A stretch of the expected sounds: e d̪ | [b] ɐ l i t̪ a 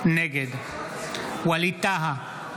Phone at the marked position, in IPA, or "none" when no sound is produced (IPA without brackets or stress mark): w